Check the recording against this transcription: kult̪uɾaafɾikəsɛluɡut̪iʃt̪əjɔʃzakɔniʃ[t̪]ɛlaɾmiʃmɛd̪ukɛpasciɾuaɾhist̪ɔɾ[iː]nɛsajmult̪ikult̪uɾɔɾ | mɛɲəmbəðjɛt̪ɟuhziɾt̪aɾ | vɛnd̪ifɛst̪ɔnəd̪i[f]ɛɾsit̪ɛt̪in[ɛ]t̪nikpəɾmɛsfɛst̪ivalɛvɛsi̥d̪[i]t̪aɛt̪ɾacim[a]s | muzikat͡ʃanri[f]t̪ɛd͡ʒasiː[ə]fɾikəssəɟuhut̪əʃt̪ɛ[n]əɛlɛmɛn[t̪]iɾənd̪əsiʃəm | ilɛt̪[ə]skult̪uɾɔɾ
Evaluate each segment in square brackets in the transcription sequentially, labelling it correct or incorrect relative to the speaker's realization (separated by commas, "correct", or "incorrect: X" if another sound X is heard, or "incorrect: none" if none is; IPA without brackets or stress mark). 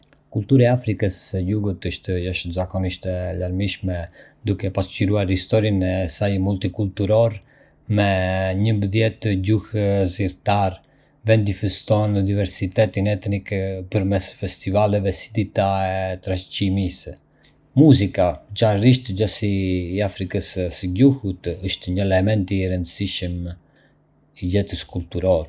correct, incorrect: i, incorrect: v, correct, correct, incorrect: i, incorrect: ʃ, incorrect: a, incorrect: ɲ, correct, correct